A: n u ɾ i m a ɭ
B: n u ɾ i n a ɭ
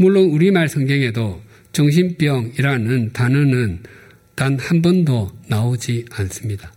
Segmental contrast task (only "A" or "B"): A